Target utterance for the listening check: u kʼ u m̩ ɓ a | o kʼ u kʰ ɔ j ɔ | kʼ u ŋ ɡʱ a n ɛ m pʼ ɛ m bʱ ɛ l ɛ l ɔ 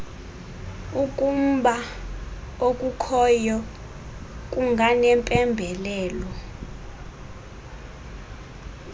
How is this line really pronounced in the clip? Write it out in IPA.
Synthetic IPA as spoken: u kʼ u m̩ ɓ a | o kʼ u kʰ ɔ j ɔ | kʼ u ŋ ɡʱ a n ɛ m pʼ ɛ m bʱ ɛ l ɛː l ɔ